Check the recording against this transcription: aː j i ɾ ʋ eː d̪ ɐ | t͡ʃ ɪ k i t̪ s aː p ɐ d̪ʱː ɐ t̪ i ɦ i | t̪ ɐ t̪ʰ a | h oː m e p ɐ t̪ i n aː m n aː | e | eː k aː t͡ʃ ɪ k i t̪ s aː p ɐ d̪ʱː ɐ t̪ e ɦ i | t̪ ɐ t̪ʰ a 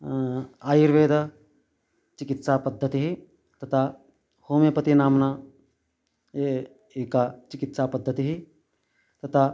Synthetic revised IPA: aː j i ɾ ʋ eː d̪ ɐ | t͡ʃ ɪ k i t̪ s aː p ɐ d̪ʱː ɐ t̪ i ɦ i | t̪ ɐ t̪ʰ a | h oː m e p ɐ t̪ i n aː m n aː | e | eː k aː t͡ʃ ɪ k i t̪ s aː p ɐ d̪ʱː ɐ t̪ i ɦ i | t̪ ɐ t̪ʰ a